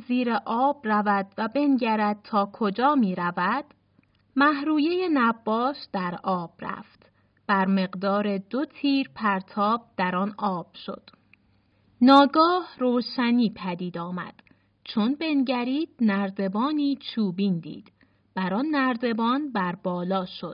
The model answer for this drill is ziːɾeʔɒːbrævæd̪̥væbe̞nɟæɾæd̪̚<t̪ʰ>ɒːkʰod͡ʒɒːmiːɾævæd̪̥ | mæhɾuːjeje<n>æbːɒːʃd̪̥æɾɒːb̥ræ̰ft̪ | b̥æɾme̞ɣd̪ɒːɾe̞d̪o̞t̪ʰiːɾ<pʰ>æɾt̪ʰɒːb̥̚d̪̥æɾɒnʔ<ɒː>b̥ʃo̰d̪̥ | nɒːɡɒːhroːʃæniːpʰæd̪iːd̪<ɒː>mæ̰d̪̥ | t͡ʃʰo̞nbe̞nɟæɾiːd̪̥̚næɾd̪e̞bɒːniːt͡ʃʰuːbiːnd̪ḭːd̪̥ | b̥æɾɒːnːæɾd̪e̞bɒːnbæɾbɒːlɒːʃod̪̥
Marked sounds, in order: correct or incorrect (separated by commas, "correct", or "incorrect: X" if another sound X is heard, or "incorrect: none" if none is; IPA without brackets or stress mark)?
correct, correct, correct, correct, correct